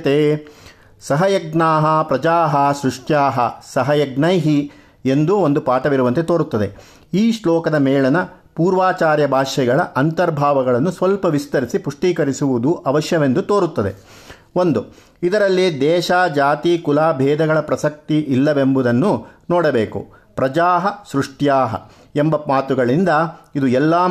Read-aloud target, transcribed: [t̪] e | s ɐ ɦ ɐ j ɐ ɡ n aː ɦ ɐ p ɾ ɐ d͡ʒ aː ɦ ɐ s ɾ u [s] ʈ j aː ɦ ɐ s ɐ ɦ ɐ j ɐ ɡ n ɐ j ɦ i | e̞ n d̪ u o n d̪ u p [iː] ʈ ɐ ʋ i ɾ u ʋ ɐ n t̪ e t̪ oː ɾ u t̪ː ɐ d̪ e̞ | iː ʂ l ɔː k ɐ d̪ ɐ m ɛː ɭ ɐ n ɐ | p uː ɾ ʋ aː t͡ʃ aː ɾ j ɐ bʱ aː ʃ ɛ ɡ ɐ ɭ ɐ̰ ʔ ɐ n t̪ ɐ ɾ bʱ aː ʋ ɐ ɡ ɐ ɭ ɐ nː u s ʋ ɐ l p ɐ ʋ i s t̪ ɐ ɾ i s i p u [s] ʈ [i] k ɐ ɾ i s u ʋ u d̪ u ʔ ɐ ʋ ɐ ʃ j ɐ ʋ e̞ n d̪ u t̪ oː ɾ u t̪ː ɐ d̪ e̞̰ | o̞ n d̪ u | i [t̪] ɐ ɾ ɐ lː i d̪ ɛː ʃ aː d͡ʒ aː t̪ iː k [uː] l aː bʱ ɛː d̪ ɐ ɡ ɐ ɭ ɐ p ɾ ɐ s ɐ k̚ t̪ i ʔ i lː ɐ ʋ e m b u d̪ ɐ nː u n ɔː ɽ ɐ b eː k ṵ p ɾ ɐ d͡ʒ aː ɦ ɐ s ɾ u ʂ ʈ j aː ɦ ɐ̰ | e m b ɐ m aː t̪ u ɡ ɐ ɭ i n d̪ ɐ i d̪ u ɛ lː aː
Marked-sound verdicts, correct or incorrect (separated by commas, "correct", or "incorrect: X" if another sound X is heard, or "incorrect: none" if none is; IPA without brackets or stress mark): correct, incorrect: ʂ, incorrect: aː, incorrect: ʂ, incorrect: iː, incorrect: d̪, incorrect: u